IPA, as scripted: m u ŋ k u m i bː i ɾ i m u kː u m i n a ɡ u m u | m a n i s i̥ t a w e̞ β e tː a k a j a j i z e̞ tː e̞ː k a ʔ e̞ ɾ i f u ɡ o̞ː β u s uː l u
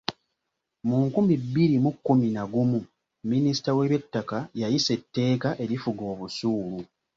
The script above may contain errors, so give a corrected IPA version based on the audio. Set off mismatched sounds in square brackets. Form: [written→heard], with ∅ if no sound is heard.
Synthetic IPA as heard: m u ŋ k u m i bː i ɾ i m u kː u m i n a ɡ u m u | m [a→i] n i s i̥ t a w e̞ β e tː a k a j a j i [z→s] e̞ tː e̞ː k a ʔ e̞ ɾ i f u ɡ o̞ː β u s uː l u